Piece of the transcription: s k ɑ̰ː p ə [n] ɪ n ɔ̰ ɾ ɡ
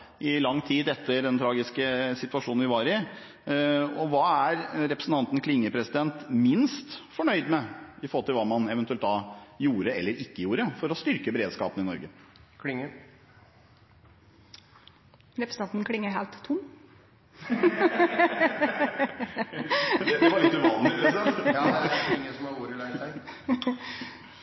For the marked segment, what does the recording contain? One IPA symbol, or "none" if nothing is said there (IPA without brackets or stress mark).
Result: n